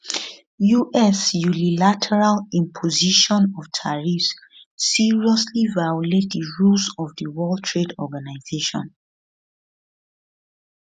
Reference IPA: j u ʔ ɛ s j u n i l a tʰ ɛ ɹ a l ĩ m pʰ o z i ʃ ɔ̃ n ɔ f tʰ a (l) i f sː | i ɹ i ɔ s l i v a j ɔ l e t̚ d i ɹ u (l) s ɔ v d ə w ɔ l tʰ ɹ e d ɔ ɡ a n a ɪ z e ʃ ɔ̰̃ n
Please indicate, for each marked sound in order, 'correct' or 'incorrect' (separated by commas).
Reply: incorrect, correct